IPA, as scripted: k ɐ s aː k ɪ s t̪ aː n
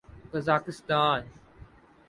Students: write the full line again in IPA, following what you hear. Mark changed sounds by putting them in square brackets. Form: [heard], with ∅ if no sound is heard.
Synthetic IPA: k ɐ [z] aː k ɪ s t̪ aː n